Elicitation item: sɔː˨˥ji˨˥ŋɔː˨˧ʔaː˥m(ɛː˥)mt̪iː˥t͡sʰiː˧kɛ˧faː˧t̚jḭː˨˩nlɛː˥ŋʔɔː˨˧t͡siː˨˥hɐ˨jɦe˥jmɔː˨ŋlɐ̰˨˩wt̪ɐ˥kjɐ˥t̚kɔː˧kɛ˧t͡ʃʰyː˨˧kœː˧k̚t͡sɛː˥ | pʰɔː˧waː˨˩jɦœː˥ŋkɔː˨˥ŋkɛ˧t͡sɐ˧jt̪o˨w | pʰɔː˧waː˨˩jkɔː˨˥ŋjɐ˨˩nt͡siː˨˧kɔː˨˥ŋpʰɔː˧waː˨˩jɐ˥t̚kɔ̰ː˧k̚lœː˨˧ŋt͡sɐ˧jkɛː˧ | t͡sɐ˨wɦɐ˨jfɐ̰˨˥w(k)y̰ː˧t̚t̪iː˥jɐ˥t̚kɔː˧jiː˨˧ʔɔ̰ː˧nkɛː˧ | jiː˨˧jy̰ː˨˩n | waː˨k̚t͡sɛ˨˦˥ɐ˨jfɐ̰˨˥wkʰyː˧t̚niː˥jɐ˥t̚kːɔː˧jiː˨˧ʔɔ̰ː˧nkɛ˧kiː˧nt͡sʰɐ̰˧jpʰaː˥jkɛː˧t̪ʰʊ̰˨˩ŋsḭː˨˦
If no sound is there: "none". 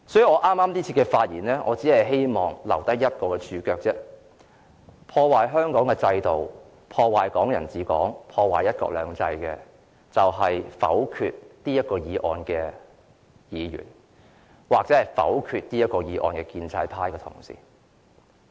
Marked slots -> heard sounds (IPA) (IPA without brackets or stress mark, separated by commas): aː˥, kʰ